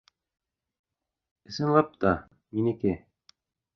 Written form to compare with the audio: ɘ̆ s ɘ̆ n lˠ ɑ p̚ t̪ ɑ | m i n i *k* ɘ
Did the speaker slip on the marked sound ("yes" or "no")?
no